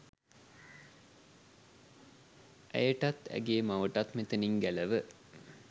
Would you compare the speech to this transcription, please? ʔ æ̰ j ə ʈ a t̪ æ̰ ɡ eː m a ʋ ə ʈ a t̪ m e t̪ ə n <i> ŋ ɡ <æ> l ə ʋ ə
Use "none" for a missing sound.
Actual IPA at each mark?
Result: i, æ

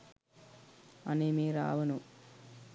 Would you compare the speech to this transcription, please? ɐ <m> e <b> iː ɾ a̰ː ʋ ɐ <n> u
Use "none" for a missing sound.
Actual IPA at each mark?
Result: n, m, n

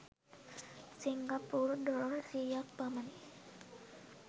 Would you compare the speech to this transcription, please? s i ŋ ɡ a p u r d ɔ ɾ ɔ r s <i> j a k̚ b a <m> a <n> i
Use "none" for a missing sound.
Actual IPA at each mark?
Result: i, m, n

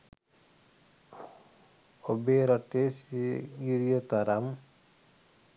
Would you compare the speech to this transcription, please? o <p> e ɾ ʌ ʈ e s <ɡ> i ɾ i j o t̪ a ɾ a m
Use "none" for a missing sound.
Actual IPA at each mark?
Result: b, ɡ

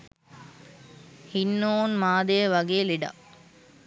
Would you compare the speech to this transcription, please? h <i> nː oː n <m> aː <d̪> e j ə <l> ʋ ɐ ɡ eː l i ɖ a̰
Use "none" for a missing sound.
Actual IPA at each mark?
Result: i, m, d̪, none

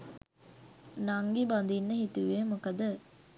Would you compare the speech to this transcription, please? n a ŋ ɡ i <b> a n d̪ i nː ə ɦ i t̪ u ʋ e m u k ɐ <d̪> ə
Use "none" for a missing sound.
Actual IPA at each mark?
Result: b, d̪

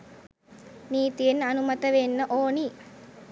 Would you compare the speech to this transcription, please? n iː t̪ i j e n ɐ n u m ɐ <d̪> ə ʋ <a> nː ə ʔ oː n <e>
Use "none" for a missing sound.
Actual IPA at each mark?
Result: t̪, e, i

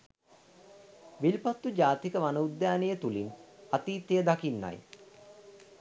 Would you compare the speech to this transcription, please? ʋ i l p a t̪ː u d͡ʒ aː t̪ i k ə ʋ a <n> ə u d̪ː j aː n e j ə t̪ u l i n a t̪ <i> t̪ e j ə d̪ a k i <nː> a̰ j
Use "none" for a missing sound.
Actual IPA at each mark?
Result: n, iː, nː

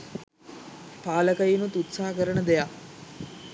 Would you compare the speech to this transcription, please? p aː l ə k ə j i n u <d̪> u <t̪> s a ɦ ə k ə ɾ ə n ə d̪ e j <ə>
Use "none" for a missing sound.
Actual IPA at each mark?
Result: t̪, t̪, a

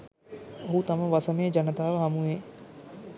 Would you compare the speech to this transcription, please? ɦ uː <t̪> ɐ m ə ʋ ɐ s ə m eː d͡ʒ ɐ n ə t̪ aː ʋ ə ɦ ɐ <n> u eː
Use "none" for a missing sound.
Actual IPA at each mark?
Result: t̪, m

